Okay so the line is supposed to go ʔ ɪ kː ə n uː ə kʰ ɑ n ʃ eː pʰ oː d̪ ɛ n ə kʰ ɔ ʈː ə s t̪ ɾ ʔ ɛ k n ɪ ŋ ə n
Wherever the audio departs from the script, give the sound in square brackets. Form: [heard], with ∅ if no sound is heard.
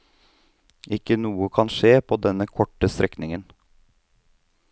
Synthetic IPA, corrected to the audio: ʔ ɪ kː ə n uː ə kʰ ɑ n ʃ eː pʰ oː d̪ ɛ n ə kʰ ɔ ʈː ə s t̪ ɾ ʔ ɛ k n ɪ ŋ ə n